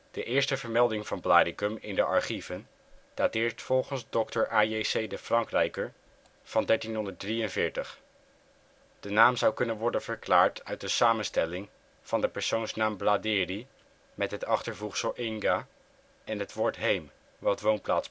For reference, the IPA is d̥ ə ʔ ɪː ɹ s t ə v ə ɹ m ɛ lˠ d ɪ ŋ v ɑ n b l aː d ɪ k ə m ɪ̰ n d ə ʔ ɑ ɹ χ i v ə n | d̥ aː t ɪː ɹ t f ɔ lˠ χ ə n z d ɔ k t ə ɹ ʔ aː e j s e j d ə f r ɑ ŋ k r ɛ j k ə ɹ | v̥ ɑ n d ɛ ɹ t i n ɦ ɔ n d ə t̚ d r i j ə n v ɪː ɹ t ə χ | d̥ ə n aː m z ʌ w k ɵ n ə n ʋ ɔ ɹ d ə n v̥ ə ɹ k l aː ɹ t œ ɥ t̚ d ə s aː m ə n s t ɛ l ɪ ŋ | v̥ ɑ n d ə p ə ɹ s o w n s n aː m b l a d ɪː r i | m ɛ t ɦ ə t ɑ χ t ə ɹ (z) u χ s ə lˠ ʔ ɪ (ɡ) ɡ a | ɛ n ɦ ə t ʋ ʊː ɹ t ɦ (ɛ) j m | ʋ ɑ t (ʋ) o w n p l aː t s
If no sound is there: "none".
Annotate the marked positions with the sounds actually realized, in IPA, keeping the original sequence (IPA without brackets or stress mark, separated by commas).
v, ŋ, e, ʋ